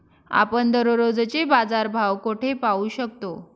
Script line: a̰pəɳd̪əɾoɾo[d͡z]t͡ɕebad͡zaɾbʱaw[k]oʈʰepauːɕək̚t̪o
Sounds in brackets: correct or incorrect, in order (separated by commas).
correct, correct